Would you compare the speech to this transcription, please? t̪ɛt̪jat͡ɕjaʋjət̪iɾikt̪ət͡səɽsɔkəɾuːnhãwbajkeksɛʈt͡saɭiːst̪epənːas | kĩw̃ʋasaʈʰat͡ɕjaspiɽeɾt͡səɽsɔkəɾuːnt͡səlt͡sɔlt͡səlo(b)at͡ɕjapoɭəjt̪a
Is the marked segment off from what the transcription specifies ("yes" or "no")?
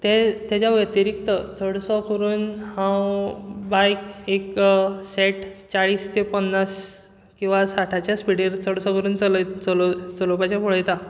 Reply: yes